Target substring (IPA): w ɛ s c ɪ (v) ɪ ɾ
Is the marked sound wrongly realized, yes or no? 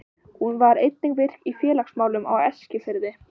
yes